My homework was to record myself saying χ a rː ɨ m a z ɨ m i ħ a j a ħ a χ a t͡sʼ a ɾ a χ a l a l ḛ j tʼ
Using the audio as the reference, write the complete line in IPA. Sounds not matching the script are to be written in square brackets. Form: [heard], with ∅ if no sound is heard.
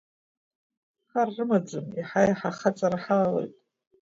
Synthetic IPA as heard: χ a rː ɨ m a [d͡z] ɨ m i ħ a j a ħ a χ a t͡sʼ a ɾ a [ħ] a l a l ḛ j tʼ